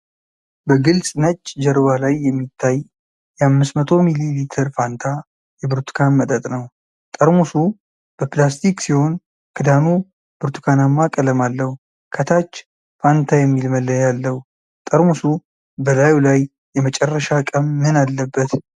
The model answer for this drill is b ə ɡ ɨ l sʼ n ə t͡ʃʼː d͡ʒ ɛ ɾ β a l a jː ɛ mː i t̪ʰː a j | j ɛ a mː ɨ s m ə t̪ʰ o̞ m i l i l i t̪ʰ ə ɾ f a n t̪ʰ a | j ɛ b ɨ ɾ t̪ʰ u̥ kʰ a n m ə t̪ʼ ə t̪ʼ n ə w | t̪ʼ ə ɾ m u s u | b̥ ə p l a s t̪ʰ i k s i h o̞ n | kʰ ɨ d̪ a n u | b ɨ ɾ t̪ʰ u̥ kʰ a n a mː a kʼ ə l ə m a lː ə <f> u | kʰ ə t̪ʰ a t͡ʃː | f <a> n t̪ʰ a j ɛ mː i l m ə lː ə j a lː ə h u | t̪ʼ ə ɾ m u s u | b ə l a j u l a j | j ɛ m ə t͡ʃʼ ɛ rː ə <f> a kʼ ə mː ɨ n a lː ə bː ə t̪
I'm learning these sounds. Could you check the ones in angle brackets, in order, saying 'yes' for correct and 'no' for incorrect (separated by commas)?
no, yes, no